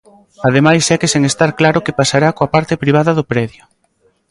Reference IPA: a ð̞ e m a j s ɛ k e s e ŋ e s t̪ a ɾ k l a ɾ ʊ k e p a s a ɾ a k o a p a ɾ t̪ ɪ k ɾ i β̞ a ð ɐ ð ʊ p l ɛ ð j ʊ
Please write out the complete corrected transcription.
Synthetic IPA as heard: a ð̞ e m a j s ɛ k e s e ŋ e s t̪ a ɾ k l a ɾ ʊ k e p a s a ɾ a k o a p a ɾ t̪ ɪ p ɾ i β̞ a ð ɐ ð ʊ p ɾ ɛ ð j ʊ